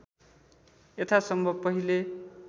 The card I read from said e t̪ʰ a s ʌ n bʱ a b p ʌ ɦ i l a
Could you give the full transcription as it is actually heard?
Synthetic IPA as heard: e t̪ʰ a s ʌ m bʱ ʌ b p ʌ ɦ i l e